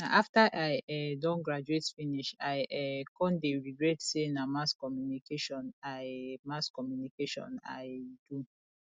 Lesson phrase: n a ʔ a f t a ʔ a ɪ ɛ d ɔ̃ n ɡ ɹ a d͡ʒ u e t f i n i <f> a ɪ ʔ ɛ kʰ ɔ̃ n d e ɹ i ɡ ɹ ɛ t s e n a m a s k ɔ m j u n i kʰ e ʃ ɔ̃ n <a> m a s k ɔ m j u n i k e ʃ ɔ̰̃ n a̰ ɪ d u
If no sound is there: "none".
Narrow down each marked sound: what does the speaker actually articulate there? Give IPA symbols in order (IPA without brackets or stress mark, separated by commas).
ʃ, a